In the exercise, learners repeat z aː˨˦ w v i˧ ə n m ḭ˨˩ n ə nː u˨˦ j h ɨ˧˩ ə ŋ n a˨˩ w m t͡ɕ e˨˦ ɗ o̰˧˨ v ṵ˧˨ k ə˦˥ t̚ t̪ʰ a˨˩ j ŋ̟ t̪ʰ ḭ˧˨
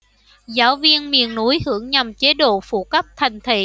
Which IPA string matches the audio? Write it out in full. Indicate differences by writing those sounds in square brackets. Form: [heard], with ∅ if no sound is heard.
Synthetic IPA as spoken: z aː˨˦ w v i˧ ə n m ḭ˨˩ [∅] ə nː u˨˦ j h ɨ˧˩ ə ŋ [ɲ] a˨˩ [∅] m t͡ɕ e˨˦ ɗ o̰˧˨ [f] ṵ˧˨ k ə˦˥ [p̚] t̪ʰ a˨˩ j ŋ̟ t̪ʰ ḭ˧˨